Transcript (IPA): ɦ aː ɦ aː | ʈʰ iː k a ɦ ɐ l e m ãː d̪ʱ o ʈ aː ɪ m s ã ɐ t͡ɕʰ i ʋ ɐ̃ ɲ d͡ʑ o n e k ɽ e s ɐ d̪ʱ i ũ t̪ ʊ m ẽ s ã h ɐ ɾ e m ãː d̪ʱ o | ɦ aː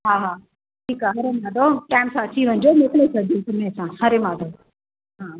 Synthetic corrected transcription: ɦ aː ɦ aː | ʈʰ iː k a ɦ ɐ ɾ e m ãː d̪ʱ o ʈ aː ɪ m s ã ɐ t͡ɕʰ i ʋ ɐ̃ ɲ d͡ʑ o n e k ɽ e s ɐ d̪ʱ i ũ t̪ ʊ m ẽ s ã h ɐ ɾ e m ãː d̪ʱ o | ɦ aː